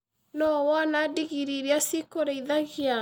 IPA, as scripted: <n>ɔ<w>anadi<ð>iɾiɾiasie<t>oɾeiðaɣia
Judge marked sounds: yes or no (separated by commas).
yes, yes, no, no